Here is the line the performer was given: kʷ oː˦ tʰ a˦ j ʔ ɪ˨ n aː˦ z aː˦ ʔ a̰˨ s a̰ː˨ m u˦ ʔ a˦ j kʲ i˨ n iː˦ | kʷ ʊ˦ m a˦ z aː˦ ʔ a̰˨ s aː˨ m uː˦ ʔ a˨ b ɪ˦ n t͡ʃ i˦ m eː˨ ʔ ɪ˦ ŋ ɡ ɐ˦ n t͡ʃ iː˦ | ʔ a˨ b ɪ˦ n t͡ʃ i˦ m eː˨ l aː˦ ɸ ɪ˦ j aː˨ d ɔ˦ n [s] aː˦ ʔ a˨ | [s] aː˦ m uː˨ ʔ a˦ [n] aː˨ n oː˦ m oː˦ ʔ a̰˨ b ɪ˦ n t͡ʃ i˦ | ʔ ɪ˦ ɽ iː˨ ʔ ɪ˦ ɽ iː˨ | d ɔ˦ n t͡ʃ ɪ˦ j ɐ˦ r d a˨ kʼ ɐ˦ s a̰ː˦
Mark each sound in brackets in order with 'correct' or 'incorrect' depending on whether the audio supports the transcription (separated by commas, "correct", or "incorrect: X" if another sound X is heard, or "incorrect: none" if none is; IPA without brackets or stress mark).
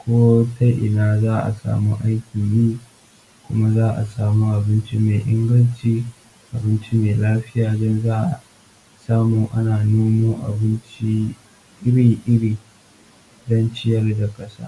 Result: incorrect: z, correct, correct